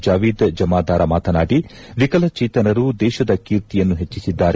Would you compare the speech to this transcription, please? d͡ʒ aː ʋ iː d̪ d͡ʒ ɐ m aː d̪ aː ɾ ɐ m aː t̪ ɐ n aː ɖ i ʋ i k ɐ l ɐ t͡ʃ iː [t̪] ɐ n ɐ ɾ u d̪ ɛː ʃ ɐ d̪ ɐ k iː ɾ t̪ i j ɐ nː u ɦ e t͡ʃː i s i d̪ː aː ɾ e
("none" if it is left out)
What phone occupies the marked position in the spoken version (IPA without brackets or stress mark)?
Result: t̪